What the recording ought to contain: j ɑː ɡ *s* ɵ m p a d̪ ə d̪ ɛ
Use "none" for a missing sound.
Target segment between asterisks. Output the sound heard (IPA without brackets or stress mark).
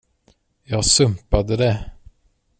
s